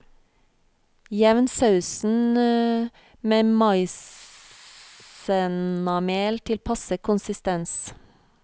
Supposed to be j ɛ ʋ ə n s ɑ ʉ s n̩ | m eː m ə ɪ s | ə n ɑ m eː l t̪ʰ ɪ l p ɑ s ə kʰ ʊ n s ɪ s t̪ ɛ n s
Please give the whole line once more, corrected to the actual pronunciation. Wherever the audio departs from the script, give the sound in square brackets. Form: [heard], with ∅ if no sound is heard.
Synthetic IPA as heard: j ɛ ʋ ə n s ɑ ʉ s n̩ | m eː m [ɑ] ɪ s | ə n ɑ m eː l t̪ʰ ɪ l [pʰ] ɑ s ə kʰ ʊ n s ɪ s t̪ ɛ n s